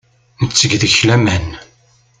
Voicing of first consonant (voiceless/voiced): voiced